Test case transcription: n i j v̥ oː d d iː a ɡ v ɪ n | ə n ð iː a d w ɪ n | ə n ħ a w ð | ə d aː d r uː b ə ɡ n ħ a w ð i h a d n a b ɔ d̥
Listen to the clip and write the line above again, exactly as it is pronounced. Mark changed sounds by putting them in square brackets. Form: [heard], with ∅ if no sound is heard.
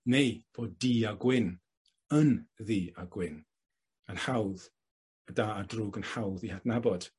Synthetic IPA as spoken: n [e] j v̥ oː d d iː a ɡ [w] ɪ n | ə n ð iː a [ɡ] w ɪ n | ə n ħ a w ð | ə d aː d r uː [ɡ] ə [∅] n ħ a w ð i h a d n a b ɔ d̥